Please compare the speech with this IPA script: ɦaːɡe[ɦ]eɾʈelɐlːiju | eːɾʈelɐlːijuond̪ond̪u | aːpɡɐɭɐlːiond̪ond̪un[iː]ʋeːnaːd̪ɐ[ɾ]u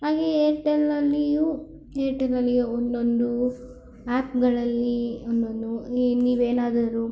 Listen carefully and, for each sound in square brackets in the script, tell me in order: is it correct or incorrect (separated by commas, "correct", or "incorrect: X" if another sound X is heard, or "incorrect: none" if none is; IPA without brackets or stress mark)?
incorrect: none, correct, correct